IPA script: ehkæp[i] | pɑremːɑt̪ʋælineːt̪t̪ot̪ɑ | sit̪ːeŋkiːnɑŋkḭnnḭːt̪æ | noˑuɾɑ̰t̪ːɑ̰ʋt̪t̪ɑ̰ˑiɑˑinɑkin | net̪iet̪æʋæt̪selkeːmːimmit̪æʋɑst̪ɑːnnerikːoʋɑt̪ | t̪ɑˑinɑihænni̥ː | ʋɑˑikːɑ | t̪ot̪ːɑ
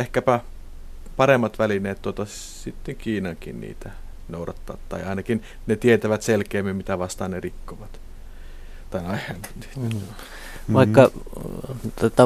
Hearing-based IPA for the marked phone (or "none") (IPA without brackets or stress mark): æ